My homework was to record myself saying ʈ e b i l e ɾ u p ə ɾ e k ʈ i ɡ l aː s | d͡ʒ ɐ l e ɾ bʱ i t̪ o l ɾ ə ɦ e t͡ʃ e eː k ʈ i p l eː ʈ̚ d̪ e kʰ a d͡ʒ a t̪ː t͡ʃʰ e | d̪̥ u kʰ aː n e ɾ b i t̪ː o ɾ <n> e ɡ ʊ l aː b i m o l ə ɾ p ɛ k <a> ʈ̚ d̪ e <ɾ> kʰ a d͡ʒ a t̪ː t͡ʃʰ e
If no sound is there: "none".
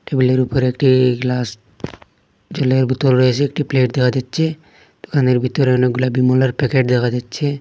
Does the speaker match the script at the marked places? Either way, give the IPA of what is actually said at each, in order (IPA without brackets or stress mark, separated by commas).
n, e, none